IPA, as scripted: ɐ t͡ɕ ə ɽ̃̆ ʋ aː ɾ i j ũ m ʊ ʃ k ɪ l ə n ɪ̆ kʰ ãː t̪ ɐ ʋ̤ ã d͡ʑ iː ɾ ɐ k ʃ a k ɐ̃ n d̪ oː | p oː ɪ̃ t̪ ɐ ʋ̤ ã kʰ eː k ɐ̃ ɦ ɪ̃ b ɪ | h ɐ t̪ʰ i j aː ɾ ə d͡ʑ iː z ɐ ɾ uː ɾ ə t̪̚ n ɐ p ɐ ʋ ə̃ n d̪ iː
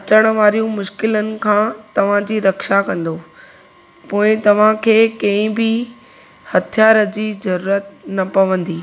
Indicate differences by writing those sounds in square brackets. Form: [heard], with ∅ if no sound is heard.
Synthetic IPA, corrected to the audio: ɐ t͡ɕ ə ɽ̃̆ ʋ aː ɾ i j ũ m ʊ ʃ k ɪ l ə n ɪ̆ kʰ ãː t̪ ɐ ʋ̤ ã d͡ʑ iː ɾ ɐ k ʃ a k ɐ̃ n d̪ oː | p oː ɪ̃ t̪ ɐ ʋ̤ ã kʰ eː k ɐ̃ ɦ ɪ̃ b ɪ | h ɐ t̪ʰ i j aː ɾ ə d͡ʑ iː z ɐ ɾ uː ɾ ə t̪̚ n ɐ p ɐ ʋ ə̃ n d̪ iː